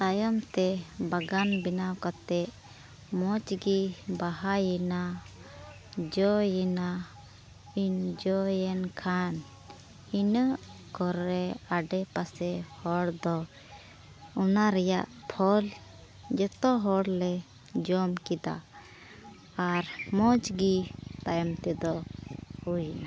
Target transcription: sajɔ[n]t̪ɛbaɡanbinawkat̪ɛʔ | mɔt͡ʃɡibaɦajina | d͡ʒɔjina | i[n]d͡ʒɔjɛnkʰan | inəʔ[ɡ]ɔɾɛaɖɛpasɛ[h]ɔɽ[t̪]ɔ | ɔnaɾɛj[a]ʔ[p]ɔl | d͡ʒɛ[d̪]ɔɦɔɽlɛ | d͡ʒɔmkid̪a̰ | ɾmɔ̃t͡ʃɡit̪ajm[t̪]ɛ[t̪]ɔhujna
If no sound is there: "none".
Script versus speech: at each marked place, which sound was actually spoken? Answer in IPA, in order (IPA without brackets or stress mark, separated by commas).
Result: m, n, k, h, d̪, a, pʰ, t̪, t̪, d̪